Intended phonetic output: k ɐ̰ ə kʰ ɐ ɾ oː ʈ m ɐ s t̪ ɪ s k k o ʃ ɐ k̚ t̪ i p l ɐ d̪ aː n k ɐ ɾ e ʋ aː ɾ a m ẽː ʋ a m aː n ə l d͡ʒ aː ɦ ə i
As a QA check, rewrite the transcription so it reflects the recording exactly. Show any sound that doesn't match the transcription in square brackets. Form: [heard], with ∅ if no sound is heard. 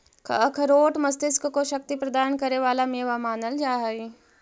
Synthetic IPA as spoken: k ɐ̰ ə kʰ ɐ ɾ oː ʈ m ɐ s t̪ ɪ s k k o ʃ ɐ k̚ t̪ i p [ɾ] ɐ d̪ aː n k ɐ ɾ e ʋ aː [l] a m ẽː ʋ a m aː n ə l d͡ʒ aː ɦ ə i